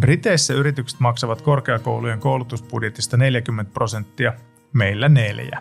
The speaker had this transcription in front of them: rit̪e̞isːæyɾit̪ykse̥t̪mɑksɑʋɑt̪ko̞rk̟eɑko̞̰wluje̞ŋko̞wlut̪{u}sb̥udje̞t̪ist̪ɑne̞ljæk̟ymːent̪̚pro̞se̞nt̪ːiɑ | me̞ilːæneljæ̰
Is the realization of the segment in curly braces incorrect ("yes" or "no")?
no